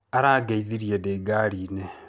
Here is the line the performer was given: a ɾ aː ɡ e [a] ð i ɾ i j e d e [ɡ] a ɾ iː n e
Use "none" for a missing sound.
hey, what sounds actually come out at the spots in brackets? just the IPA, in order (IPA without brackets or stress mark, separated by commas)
i, ɡ